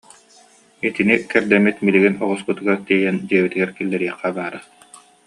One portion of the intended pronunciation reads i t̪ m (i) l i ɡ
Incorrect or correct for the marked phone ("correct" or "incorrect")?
correct